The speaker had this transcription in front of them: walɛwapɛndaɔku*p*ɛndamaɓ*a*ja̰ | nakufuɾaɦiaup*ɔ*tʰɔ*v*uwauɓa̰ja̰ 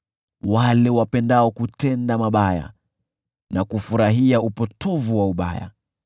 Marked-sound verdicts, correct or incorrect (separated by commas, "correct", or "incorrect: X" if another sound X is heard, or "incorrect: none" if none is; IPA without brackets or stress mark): incorrect: t, correct, correct, correct